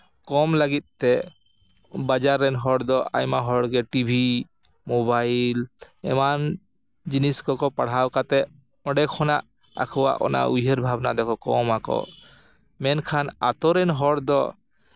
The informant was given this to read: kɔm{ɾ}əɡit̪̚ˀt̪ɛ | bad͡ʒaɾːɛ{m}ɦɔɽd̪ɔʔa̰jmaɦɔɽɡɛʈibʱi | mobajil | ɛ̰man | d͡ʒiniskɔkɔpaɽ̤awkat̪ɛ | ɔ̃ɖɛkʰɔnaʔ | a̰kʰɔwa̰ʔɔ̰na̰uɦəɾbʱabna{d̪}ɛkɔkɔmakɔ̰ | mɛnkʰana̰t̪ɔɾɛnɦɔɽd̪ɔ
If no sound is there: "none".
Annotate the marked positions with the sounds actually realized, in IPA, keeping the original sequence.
l, n, d̪

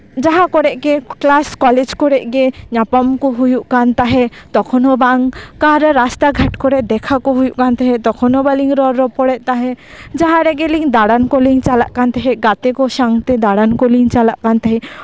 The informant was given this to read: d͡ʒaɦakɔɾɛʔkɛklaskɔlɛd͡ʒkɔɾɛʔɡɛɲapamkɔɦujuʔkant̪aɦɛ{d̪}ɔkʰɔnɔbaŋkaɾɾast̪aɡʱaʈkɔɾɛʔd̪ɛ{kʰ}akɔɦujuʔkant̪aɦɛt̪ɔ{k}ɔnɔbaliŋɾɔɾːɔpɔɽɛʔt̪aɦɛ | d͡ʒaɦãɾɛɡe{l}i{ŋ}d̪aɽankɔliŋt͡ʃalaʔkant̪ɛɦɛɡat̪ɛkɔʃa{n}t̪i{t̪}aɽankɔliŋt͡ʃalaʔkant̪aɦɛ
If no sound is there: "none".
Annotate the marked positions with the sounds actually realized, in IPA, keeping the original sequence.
t̪, kʰ, kʰ, l, ŋ, ŋ, d̪

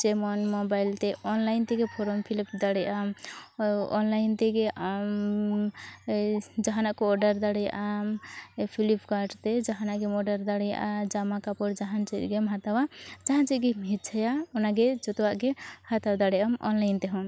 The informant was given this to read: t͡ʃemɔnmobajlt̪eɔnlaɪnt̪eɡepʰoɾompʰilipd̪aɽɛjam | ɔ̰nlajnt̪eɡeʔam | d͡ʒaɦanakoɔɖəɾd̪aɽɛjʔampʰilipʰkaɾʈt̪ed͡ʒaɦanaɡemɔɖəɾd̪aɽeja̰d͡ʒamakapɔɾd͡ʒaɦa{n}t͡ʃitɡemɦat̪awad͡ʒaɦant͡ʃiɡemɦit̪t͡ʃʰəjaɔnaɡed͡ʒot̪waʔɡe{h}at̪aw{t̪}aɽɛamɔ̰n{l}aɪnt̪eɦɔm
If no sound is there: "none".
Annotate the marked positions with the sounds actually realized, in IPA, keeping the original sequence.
n, h, d̪, l

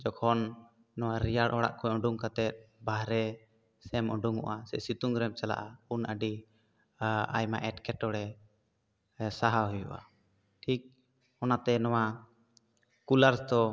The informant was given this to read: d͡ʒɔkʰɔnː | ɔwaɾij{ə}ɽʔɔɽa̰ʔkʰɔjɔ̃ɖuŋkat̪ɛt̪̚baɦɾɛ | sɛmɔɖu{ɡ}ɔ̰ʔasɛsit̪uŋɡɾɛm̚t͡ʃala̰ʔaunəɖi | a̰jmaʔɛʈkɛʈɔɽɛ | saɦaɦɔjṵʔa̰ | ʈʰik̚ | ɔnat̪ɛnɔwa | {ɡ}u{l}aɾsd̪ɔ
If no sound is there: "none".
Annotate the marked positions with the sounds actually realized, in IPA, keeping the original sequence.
a, ŋ, k, l

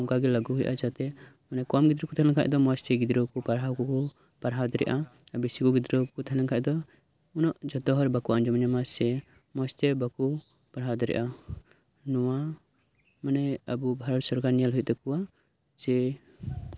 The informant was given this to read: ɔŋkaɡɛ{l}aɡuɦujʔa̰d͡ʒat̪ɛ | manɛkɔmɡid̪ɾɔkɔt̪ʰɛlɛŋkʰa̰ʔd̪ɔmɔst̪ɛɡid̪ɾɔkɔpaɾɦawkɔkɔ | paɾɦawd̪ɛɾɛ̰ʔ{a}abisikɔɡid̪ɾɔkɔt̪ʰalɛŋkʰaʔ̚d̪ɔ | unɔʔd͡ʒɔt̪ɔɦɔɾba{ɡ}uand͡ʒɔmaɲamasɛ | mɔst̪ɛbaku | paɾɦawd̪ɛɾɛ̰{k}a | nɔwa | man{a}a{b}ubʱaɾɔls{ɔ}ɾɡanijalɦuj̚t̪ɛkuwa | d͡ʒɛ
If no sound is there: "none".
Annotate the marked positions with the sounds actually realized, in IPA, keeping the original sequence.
l, a, k, ʔ, ɛ, b, ɔ

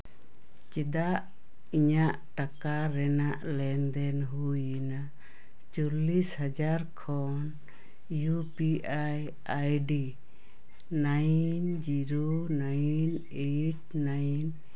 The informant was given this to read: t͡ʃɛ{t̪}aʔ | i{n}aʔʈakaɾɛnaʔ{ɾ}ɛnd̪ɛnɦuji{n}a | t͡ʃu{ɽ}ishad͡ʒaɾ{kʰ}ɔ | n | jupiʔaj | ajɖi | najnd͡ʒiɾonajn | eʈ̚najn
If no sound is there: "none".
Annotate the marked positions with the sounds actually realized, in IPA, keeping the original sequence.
d̪, ɲ, l, n, l, kʰ

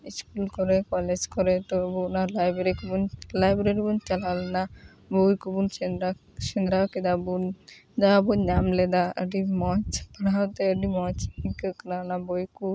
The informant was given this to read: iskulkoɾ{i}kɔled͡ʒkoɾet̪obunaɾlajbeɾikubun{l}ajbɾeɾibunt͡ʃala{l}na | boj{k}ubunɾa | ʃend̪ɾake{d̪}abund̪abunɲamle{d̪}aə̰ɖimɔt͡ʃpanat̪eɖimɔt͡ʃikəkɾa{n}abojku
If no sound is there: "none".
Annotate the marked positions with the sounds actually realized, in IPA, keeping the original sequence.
e, l, l, k, d̪, d̪, n

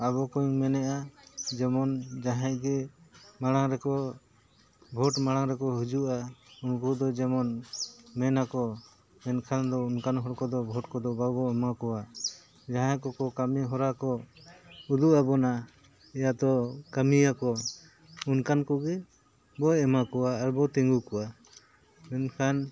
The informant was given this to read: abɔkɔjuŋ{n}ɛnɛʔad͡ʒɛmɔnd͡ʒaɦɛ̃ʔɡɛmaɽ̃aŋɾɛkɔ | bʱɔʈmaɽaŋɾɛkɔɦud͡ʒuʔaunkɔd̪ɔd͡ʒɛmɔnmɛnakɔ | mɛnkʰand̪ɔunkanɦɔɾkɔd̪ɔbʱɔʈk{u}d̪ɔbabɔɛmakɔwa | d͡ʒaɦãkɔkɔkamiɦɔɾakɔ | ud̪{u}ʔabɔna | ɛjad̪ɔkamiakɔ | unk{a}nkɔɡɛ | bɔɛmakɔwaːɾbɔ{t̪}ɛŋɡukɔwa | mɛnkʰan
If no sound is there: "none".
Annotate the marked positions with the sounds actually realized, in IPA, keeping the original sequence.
m, ɔ, u, a, t̪

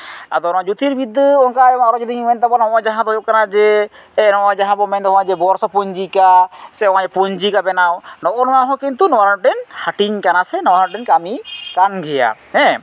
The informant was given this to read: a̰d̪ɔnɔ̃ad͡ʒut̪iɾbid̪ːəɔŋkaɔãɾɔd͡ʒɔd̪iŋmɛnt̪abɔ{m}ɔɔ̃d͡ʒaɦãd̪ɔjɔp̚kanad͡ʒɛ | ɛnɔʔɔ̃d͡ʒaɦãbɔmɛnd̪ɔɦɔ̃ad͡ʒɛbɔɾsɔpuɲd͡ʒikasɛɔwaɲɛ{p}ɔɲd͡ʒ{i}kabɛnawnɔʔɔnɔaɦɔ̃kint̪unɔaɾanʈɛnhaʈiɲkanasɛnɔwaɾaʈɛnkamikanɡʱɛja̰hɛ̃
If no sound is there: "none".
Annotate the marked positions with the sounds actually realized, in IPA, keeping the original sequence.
n, p, i

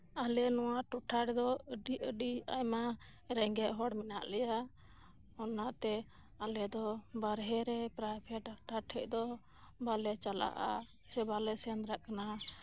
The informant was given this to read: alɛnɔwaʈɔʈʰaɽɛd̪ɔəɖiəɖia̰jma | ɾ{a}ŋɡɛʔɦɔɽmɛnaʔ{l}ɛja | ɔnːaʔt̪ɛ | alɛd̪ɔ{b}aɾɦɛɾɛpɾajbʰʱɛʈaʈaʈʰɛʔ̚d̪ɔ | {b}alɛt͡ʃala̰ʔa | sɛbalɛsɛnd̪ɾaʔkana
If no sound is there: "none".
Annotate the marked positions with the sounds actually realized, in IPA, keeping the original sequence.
ɛ, l, b, b

